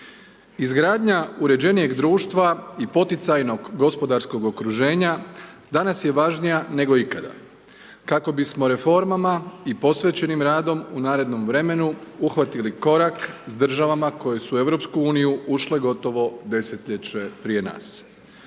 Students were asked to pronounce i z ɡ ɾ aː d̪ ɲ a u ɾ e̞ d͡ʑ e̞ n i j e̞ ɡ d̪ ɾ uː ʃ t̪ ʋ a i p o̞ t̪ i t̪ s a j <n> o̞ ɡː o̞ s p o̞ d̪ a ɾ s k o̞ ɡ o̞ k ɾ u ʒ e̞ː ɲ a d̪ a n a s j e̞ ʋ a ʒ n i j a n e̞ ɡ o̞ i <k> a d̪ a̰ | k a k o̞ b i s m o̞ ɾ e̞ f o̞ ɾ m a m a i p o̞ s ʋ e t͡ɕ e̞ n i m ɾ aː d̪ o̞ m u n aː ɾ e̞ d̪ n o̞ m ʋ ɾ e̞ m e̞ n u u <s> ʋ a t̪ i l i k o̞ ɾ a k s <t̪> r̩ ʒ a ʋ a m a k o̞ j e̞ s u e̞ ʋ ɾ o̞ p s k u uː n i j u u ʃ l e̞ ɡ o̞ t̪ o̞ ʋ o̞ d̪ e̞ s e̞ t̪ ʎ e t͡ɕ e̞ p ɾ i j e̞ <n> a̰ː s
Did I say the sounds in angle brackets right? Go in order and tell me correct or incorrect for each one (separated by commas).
correct, correct, incorrect, incorrect, correct